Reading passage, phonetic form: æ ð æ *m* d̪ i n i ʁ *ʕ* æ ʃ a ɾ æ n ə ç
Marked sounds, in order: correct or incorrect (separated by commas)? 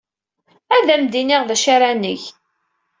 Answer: correct, incorrect